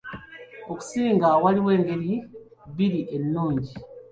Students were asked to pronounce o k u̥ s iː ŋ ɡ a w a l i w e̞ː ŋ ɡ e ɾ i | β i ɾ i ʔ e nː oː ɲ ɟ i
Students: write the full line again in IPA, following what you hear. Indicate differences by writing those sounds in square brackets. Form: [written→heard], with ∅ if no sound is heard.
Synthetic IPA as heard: o k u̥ s iː ŋ ɡ a w a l i w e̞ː ŋ ɡ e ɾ i | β i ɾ i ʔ e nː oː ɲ ɟ i